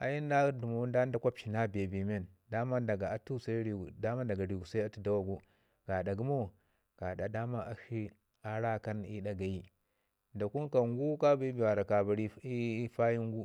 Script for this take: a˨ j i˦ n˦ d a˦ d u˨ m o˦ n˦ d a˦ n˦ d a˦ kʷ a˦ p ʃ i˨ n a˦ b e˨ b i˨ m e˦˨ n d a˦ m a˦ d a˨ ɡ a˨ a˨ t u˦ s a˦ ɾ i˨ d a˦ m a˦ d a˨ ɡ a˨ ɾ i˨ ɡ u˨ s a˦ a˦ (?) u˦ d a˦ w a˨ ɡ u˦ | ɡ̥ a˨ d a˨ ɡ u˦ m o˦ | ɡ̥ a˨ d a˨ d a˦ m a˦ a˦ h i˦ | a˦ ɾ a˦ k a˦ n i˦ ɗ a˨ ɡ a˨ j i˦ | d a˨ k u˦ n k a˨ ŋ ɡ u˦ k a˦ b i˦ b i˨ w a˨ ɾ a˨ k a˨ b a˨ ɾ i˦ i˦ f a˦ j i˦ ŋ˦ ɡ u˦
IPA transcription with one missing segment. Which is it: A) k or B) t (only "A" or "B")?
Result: B